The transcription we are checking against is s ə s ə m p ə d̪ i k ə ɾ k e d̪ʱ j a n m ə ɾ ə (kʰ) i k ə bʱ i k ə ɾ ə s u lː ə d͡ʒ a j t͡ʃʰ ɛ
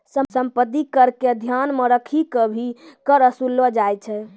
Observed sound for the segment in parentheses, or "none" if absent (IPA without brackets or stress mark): kʰ